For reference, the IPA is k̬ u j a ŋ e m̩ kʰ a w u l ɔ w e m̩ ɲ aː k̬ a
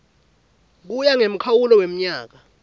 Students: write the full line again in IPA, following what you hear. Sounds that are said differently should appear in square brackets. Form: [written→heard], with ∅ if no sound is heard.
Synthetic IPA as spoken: k̬ u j a ŋ e m̩ kʰ a w u l ɔ w e m̩ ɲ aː k̬ a